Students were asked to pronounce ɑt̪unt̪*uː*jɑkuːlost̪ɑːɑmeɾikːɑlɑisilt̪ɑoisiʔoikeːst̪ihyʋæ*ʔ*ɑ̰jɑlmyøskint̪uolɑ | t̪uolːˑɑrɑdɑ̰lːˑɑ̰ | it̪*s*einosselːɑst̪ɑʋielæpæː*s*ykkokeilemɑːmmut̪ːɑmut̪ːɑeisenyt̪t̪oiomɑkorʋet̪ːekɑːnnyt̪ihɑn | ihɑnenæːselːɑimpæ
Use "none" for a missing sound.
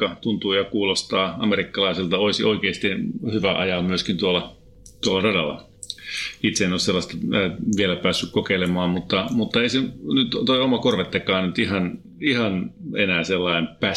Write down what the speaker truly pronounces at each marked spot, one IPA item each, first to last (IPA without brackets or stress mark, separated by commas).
uː, ʔ, s, sː